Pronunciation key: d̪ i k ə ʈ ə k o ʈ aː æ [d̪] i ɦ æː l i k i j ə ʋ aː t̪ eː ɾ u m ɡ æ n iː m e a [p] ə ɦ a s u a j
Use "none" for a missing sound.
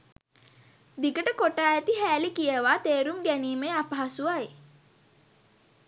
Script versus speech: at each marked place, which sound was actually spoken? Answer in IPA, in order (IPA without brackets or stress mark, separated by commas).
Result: t̪, p